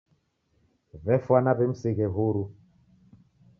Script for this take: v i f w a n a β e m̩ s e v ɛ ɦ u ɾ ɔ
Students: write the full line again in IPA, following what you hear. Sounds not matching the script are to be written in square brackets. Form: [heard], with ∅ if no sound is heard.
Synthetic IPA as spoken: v [ɛ] f w a n a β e m̩ s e [ɣ] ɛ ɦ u ɾ [u]